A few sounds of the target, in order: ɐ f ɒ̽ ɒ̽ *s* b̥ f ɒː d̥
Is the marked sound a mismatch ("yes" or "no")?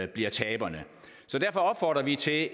yes